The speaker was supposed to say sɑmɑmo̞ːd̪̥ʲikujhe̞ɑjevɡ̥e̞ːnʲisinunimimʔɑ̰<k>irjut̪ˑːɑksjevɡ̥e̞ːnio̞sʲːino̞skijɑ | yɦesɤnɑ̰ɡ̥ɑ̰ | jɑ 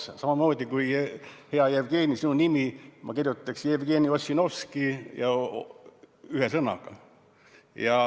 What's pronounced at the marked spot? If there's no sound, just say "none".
k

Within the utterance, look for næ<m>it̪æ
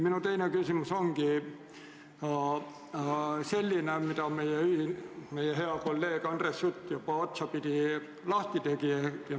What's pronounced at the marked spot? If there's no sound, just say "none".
m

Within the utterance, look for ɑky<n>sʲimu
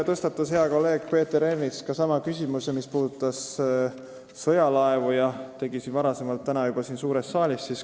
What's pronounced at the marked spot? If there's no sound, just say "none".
none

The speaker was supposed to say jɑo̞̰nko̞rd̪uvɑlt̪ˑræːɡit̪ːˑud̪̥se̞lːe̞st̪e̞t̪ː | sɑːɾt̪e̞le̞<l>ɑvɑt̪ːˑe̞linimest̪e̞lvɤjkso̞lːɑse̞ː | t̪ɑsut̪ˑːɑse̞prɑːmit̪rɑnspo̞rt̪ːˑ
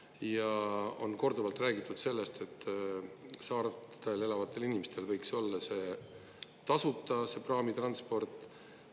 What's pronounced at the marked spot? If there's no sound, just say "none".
l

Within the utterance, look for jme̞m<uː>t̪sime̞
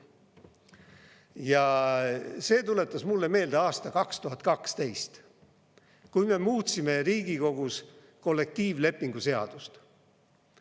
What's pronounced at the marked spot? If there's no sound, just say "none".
uː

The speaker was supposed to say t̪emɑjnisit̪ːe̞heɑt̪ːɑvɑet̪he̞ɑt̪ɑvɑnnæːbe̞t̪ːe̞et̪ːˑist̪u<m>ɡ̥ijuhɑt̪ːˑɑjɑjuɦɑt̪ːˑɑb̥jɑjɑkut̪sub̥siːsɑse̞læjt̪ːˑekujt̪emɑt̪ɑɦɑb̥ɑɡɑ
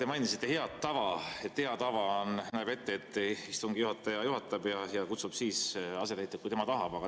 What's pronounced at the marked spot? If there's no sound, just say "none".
ŋ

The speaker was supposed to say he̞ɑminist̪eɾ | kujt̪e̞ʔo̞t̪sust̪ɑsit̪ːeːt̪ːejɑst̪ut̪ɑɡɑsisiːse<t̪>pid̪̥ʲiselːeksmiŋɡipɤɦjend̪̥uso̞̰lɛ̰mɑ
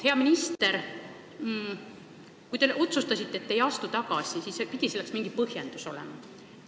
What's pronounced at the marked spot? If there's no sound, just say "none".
none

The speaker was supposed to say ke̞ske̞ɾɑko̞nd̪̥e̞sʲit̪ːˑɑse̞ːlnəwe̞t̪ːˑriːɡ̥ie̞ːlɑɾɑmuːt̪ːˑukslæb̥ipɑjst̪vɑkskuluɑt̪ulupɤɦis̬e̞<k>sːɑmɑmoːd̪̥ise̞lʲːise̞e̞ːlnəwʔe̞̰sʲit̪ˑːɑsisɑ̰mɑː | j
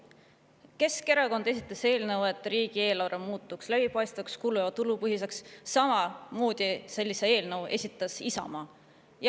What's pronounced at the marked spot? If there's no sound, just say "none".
k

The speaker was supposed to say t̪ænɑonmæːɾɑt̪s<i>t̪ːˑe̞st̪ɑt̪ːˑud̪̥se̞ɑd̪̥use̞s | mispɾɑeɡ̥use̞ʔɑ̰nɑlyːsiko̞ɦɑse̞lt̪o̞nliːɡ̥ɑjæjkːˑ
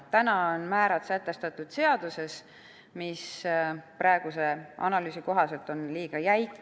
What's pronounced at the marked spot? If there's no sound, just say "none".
æ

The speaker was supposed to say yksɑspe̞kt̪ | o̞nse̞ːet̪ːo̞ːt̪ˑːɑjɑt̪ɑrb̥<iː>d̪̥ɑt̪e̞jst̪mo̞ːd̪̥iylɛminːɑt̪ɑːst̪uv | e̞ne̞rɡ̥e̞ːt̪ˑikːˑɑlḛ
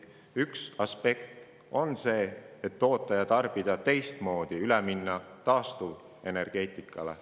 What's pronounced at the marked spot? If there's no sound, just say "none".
i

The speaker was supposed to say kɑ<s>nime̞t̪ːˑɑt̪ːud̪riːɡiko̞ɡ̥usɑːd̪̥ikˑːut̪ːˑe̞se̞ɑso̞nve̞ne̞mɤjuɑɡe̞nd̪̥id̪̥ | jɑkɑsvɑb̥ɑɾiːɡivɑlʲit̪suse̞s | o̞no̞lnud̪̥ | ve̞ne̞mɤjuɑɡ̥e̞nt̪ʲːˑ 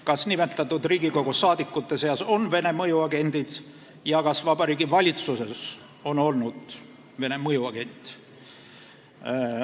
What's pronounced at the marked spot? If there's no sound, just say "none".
s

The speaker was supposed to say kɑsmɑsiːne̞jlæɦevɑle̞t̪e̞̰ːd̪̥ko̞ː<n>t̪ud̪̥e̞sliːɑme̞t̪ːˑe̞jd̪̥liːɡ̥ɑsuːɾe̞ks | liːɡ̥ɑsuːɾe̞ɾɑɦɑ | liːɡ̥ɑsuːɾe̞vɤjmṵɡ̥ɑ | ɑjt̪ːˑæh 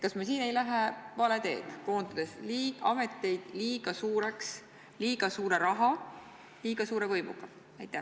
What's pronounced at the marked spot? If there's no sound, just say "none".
n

